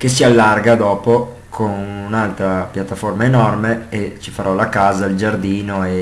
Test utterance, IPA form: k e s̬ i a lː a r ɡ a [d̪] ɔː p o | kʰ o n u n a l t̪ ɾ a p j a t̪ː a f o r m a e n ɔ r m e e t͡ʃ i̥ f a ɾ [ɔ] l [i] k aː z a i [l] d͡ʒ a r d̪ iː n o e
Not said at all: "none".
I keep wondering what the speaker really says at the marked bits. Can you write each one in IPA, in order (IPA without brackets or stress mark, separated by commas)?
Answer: d̪, ɔ, a, l